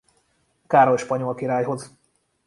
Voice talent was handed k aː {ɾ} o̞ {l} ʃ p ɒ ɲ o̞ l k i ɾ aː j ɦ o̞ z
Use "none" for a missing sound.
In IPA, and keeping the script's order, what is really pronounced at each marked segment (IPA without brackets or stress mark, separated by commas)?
ɾ, l